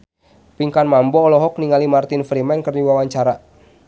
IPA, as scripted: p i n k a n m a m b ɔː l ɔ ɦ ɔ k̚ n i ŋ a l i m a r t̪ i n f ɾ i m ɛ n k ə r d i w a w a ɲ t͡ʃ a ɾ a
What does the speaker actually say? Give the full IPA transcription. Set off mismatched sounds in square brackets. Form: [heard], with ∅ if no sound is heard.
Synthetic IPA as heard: p i [ŋ] k a n m a m b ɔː l ɔ ɦ ɔ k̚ n i ŋ a l i m a r t̪ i n f ɾ i m ɛ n k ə r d i w a w a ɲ t͡ʃ a ɾ a